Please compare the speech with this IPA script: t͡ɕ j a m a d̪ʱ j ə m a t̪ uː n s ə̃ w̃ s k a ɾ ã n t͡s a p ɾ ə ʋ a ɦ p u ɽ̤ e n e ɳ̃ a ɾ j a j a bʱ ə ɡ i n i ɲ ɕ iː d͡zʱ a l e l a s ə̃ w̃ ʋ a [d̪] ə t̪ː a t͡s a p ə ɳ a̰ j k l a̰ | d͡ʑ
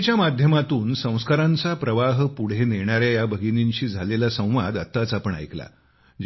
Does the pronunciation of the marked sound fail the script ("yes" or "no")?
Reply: no